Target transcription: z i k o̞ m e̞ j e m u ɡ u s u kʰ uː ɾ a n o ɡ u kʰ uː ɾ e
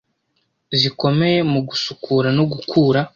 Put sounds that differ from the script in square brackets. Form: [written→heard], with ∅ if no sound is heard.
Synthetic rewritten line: z i k o̞ m e̞ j e m u ɡ u s u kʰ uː ɾ a n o ɡ u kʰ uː ɾ [e→a]